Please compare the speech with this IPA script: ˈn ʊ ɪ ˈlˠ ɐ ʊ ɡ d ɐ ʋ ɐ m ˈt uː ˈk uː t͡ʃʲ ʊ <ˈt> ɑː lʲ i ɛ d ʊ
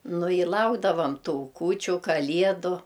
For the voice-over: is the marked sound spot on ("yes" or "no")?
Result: no